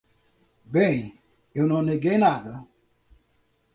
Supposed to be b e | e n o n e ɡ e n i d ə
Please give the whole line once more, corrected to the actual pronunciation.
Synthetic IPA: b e | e n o n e ɡ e n a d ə